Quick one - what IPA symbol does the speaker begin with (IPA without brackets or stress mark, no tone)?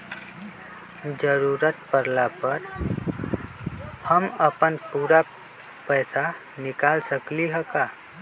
d͡ʒ